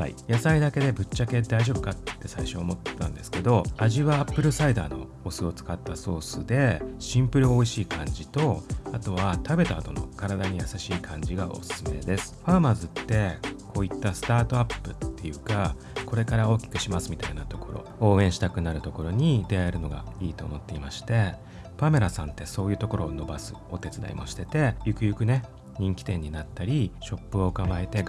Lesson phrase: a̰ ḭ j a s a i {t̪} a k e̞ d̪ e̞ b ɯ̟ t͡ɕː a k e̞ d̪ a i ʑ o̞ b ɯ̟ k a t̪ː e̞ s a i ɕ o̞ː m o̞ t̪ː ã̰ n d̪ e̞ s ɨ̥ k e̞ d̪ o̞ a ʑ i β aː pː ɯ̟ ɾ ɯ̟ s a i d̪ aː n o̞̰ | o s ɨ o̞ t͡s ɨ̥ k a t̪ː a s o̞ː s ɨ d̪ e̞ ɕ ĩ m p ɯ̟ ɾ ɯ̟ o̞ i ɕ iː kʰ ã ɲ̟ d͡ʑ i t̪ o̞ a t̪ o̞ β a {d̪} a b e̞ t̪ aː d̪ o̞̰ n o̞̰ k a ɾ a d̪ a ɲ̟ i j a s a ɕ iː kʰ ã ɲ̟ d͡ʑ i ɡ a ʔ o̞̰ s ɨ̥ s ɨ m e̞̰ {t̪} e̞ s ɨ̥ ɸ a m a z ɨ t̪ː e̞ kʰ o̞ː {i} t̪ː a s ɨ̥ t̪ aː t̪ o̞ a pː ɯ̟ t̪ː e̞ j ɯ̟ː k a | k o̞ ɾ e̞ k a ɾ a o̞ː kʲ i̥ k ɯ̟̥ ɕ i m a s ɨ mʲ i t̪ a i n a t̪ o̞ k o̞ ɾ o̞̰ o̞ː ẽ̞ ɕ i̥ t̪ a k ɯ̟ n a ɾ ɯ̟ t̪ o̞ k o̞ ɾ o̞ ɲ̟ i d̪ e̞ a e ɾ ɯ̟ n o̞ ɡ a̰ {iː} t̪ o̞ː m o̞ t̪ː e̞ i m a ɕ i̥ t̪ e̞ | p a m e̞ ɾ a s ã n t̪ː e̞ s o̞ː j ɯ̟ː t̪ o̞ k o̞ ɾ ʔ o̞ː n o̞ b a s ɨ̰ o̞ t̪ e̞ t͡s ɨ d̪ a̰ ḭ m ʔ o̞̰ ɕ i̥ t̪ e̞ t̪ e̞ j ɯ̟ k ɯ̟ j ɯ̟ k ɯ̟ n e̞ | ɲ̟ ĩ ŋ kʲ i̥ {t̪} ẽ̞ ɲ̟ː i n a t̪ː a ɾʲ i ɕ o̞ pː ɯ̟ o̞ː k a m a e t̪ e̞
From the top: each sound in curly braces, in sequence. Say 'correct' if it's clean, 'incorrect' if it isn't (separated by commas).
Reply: incorrect, incorrect, incorrect, correct, correct, correct